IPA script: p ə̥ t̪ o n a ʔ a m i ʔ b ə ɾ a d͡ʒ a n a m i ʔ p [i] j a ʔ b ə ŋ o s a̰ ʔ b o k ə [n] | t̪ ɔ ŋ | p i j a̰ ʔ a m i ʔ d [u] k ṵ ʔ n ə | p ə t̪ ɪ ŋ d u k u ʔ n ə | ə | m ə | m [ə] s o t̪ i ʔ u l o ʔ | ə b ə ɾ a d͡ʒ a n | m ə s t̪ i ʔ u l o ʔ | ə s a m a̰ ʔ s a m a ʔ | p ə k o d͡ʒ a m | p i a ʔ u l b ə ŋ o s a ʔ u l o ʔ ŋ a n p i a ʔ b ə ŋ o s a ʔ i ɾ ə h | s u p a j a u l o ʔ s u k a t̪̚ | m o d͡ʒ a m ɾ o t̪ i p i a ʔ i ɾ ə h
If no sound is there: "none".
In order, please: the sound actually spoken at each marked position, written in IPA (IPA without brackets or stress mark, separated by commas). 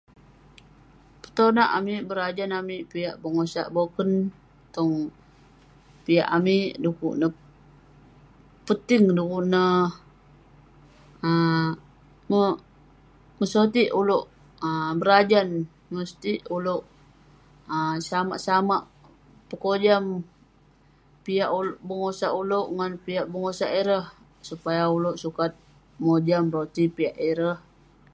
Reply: i, n, u, ə